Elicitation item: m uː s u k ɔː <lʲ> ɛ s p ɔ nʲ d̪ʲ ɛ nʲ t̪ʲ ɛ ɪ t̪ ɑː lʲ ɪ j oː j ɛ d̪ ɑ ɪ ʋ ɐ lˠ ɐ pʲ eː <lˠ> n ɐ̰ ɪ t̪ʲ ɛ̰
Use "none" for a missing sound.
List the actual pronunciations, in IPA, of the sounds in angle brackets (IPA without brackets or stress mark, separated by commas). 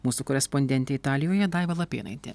ɾʲ, none